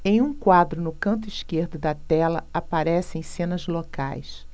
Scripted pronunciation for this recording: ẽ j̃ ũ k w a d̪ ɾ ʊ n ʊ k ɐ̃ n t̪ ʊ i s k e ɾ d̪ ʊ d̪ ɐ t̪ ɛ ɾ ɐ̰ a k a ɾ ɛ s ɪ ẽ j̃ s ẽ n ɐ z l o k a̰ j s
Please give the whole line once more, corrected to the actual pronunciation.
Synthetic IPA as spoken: ẽ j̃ ũ k w a d̪ ɾ ʊ n ʊ k ɐ̃ n t̪ ʊ i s k e ɾ d̪ ʊ d̪ ɐ t̪ ɛ l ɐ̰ a p a ɾ ɛ s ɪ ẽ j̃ s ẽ n ɐ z l o k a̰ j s